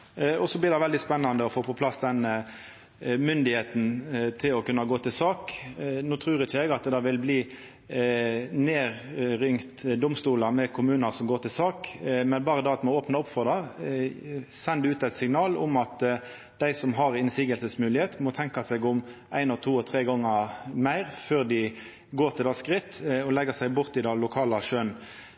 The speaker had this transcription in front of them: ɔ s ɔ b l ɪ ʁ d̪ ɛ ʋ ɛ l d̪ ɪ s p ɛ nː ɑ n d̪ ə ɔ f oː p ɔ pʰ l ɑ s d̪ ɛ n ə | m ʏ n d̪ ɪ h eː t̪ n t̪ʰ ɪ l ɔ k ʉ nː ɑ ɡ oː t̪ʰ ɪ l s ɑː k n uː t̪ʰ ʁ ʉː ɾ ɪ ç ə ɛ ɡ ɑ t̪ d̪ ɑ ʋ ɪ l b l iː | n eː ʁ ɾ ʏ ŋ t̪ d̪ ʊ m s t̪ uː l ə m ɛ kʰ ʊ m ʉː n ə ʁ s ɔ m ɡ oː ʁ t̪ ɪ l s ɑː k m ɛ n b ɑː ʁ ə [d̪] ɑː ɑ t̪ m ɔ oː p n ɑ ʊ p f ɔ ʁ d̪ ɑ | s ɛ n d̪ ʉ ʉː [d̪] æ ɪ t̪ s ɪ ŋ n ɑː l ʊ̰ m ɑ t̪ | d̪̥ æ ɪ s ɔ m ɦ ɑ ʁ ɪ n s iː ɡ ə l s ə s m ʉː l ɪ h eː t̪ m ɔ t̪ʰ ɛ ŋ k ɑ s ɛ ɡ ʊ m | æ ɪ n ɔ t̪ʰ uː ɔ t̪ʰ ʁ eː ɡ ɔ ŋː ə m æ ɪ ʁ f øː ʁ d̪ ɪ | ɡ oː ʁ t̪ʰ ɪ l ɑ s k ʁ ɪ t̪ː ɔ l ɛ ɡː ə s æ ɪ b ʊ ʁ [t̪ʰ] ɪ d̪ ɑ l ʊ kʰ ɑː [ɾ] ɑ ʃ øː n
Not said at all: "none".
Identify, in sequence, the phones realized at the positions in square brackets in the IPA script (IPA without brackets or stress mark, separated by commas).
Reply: d̪, t̪, t̪, l